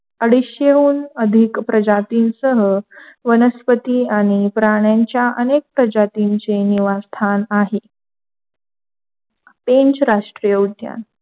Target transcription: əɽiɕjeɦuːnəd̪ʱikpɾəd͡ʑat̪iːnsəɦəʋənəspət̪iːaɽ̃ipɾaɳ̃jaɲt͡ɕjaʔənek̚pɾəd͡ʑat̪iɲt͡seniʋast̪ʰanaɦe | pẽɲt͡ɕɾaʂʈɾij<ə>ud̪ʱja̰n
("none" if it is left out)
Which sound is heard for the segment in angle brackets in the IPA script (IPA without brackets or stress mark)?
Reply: ə